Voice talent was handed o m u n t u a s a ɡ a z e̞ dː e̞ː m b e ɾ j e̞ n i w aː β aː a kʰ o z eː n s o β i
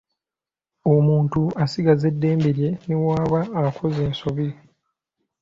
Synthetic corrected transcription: o m uː n t u a s i ɡ a z e̞ dː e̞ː m b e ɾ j e̞ n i w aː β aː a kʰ o z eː n s o β i